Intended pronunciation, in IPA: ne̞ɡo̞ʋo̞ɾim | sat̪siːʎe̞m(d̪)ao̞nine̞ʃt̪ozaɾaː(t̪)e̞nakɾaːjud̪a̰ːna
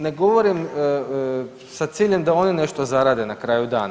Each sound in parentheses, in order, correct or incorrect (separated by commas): correct, incorrect